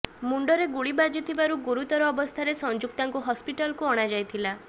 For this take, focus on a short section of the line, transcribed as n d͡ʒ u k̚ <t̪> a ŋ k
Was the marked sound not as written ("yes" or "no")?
no